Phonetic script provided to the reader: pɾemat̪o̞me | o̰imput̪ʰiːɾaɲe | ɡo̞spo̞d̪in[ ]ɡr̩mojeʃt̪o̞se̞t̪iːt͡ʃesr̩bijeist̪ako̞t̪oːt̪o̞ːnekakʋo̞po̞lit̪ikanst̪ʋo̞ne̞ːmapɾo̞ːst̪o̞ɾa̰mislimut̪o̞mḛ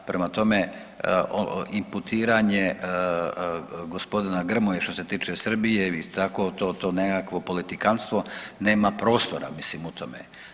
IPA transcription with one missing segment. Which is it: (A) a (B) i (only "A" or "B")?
A